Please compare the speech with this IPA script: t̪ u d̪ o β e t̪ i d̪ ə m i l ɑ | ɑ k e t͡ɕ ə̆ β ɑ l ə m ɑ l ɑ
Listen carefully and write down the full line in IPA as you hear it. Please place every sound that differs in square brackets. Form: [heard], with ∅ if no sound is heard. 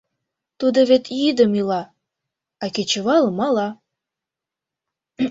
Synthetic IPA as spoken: t̪ u d̪ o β e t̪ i d̪ ə m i l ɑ | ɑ k e t͡ɕ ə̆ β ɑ l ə m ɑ l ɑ

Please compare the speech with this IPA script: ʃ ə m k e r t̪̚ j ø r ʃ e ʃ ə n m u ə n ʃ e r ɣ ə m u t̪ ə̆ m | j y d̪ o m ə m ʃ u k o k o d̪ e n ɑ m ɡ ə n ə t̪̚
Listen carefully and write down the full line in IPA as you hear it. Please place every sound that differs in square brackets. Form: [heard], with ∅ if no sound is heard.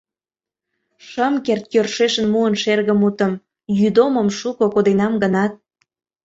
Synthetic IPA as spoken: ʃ ə m k e r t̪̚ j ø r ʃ e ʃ ə n m u ə n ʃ e r ɣ ə m u t̪ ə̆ m | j y d̪ o m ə m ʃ u k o k o d̪ e n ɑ m ɡ ə n [ɑ] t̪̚

